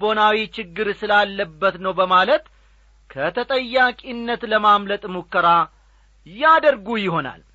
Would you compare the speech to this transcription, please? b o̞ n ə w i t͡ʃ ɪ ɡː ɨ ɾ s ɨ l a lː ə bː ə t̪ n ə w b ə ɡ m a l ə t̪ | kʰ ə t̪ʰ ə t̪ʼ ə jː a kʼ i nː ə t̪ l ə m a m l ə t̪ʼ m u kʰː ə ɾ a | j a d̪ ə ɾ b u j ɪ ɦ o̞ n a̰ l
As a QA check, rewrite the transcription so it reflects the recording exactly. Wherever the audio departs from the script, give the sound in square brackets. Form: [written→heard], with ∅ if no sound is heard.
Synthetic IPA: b o̞ n [ə→a] w i t͡ʃ ɪ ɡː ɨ ɾ s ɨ l a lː ə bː ə t̪ n ə w b ə [ɡ→∅] m a l ə t̪ | kʰ ə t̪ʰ ə t̪ʼ ə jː a kʼ i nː ə t̪ l ə m a m l ə t̪ʼ m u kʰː ə ɾ a | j a d̪ ə ɾ [b→ɡ] u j ɪ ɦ o̞ n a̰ l